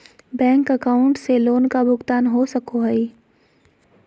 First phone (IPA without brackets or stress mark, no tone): b